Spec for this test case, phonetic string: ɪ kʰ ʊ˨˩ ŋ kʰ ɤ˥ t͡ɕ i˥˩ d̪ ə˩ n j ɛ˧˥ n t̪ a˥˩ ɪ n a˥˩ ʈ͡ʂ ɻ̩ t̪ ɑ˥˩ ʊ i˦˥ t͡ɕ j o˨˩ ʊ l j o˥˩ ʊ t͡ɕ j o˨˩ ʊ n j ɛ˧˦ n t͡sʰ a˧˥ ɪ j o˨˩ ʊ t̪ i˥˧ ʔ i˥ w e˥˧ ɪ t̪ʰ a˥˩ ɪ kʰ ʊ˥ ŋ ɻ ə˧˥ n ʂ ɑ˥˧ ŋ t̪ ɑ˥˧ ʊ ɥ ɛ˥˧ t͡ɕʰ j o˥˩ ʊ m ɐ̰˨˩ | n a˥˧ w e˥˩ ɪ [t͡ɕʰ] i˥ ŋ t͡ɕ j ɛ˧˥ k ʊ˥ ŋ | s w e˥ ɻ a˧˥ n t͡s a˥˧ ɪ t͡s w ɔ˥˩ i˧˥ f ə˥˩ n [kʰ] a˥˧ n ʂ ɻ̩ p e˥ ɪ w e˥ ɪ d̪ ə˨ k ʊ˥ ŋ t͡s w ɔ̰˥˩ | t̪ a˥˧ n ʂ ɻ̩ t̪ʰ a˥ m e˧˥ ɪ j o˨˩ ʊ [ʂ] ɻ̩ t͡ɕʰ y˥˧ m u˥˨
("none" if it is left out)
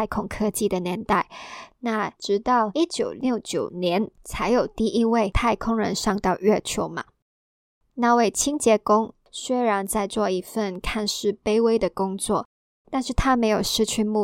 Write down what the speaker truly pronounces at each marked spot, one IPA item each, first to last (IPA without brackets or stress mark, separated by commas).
t͡ɕʰ, kʰ, ʂ